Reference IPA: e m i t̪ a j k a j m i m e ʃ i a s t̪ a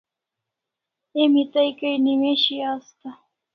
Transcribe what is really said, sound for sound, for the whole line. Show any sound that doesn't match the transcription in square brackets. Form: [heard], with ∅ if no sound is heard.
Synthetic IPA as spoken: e m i t̪ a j k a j [n] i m e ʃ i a s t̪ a